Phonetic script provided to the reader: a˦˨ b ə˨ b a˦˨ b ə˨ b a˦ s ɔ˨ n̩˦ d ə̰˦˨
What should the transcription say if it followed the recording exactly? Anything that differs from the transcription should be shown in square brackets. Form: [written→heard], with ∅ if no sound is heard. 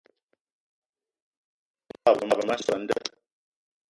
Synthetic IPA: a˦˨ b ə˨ [b→m] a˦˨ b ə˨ [b→m] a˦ s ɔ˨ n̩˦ d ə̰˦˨